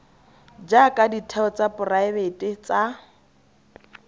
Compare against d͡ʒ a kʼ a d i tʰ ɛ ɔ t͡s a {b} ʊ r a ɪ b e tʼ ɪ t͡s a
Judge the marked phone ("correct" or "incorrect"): incorrect